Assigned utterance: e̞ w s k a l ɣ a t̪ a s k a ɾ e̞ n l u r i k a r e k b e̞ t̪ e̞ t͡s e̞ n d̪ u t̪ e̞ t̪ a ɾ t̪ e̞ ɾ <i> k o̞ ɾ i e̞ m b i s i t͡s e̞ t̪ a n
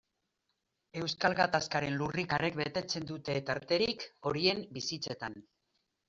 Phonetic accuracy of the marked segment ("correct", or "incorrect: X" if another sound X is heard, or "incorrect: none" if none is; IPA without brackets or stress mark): correct